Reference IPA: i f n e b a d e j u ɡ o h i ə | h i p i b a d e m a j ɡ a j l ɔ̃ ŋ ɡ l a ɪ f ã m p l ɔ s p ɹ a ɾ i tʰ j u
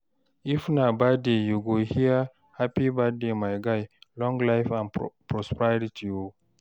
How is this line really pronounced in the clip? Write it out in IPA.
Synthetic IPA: i f n a b a d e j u ɡ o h i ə | h a p i b a d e m a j ɡ a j l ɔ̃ ŋ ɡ l a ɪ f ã n p ɹ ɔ s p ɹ a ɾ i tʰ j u

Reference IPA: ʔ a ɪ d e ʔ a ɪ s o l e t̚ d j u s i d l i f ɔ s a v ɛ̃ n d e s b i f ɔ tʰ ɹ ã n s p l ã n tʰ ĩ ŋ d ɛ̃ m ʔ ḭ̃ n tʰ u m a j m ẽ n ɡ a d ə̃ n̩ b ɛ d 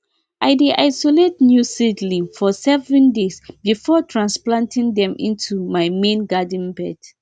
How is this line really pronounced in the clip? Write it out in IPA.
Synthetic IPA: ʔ a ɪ d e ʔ a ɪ s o l e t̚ n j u s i d l i f ɔ s ɛ v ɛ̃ n d e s b i f ɔ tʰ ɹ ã n s p l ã n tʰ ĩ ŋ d ɛ̃ m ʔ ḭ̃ n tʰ u m a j m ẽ n ɡ a d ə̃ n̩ b ɛ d

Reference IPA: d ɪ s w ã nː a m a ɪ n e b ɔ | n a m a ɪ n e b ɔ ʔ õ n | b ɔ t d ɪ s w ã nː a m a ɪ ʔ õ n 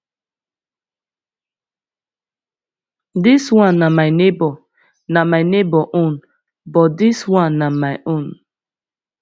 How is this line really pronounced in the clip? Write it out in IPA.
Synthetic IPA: d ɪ s w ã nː a m a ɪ n e b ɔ | n a m a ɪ n e b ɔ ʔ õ n | b ɔ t d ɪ s w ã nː a m a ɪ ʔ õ n

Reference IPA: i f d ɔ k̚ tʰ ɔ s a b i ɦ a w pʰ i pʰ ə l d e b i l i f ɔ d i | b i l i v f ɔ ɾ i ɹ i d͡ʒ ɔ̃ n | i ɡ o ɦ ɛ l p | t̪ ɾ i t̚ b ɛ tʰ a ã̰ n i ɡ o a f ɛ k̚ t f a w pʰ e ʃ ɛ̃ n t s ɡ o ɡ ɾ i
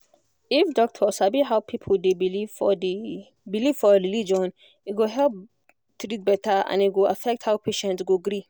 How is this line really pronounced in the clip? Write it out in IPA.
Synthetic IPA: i f d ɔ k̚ tʰ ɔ s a b i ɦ a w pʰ i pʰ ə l d e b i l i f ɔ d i | b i l i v f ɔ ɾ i l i d͡ʒ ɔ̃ n | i ɡ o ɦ ɛ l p | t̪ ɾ i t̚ b ɛ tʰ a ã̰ n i ɡ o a f ɛ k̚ t h a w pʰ e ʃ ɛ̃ n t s ɡ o ɡ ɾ i

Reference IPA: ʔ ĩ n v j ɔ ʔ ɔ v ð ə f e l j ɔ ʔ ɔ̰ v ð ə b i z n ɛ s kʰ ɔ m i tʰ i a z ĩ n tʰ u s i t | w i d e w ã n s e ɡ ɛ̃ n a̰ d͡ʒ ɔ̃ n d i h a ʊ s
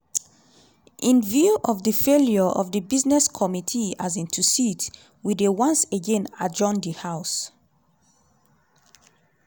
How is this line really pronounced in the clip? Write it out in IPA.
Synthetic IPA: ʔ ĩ n v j u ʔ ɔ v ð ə f e l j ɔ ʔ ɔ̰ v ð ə b i z n ɛ s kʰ ɔ m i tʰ i a z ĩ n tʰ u s i t | w i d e w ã n s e ɡ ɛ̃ n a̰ d͡ʒ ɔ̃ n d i h a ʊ s

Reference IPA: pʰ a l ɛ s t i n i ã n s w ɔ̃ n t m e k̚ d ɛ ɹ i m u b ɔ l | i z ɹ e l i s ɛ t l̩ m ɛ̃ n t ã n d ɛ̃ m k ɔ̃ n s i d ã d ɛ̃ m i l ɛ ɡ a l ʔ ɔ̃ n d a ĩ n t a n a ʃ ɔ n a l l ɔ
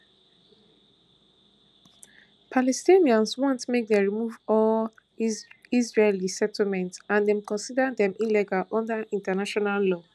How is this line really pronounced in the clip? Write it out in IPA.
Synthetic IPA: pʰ a l ɛ s t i n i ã n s w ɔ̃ n t m e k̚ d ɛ ɹ i m u v ɔ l | i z ɹ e l i s ɛ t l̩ m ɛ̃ n t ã n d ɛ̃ m k ɔ̃ n s i d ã d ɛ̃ m i l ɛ ɡ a l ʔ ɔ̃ n d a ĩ n t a n a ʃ ɔ n a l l ɔ

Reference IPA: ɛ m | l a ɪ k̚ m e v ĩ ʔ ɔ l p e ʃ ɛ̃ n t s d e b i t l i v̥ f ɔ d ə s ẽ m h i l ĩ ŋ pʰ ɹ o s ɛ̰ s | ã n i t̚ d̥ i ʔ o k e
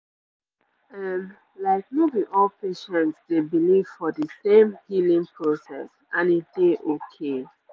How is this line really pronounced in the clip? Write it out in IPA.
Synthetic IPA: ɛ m | l a ɪ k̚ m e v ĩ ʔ ɔ l p e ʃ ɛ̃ n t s d e b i l i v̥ f ɔ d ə s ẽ m h i l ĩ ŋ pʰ ɹ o s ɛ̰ s | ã n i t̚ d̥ e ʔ o kʰ e

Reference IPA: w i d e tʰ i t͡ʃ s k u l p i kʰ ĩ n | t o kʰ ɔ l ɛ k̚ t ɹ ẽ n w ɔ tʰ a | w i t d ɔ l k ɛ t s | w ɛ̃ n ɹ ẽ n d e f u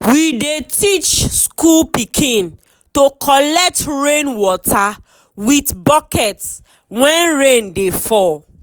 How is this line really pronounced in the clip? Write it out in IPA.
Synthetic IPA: w i d e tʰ i t͡ʃ s k u l p i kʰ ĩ n | t o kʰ ɔ l ɛ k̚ t ɹ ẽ n w ɔ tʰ a | w i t b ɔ k ɛ t s | w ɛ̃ n ɹ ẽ n d e f ɔ

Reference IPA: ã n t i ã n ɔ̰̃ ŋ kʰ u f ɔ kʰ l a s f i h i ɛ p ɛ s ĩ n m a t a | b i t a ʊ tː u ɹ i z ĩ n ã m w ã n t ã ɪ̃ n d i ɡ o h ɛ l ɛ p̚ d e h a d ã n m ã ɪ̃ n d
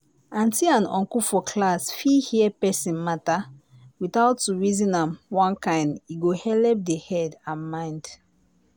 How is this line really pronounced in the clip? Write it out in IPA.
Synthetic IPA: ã n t i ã n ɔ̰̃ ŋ k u f ɔ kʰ l a s f i h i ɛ p ɛ s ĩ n m a t a | w i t a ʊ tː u ɹ i z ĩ n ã m w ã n k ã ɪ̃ n d i ɡ o h ɛ l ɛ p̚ d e h ɛ d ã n m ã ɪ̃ n d

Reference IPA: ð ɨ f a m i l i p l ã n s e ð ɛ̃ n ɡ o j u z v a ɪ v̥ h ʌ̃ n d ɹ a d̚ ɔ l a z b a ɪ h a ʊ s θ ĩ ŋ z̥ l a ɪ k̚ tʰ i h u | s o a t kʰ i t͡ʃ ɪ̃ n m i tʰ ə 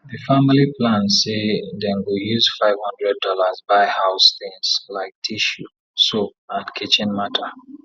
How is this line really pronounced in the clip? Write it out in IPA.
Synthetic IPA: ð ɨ f a m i l i p l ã n s e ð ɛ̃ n ɡ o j u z f a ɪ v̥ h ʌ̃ n d ɹ ɛ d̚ ɔ l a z b a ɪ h a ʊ s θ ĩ ŋ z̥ l a ɪ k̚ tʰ i ʃ u | s o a t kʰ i t͡ʃ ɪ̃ n m a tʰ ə

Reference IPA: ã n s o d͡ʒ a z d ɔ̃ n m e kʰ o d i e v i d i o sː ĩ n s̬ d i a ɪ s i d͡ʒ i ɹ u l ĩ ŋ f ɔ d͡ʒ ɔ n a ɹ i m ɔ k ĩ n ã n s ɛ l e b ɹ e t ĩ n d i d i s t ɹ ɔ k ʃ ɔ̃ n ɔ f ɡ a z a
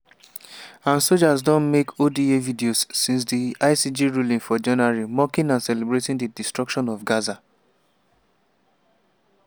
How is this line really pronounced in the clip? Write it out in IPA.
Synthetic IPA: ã n s o d͡ʒ a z d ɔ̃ n m e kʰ o d i e v i d i o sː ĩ n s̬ d i a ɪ s i d͡ʒ i ɹ u l ĩ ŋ f ɔ d͡ʒ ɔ n a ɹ i m ɔ k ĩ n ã n s ɛ l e b ɹ e t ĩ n d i d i s t ɹ ɔ k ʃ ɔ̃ n ɔ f ɡ a z a

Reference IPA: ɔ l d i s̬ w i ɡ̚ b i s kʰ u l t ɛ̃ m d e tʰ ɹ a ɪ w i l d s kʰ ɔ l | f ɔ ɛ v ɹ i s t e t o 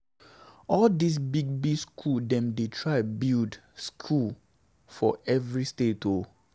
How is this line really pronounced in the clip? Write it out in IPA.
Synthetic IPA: ɔ l d i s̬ b i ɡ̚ b i s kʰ u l d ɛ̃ m d e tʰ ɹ a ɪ b i l d s kʰ u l | f ɔ ɛ v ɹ i s t e t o

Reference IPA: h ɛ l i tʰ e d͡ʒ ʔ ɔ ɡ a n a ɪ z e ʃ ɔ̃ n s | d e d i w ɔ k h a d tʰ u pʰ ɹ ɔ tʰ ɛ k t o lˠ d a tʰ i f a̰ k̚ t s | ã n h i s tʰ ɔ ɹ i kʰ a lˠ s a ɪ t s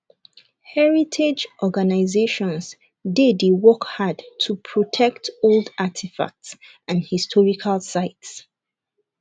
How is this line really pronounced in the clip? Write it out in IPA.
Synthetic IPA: h ɛ ɹ i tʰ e d͡ʒ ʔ ɔ ɡ a n a ɪ z e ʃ ɔ̃ n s | d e d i w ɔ k h a d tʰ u pʰ ɹ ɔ tʰ ɛ k t o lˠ d a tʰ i f a̰ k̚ t s | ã n h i s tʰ ɔ ɹ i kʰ a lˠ s a ɪ t s

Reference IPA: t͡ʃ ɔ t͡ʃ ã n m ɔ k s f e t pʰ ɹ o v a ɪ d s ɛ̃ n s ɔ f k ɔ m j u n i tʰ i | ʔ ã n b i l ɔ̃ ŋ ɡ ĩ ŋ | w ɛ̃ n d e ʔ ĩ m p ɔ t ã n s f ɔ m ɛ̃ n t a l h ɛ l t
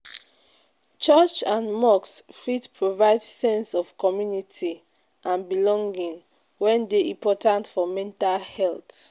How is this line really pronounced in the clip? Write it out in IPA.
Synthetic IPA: t͡ʃ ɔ t͡ʃ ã n m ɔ k s f i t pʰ ɹ o v a ɪ d s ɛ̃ n s ɔ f k ɔ m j u n i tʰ i | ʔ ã n b i l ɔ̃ ŋ ɡ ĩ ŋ | w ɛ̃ n d e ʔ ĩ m p ɔ t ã n t f ɔ m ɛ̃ n t a l h ɛ l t

